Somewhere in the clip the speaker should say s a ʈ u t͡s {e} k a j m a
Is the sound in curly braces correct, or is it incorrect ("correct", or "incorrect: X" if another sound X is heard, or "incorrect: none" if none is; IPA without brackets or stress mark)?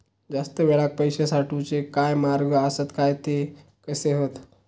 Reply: correct